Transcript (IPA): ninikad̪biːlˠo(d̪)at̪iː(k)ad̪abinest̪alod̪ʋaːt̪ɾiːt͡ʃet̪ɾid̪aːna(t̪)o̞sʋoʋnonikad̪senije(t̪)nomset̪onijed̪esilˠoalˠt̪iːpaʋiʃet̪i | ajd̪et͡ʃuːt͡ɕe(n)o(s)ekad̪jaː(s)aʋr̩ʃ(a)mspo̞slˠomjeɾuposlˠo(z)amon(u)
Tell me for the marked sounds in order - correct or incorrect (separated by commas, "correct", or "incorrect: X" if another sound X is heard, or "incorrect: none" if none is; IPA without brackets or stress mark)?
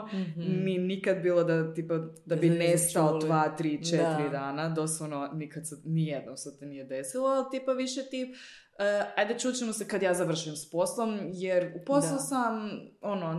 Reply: correct, incorrect: p, incorrect: d̪, incorrect: d̪, incorrect: m, correct, incorrect: z, incorrect: i, incorrect: s, incorrect: o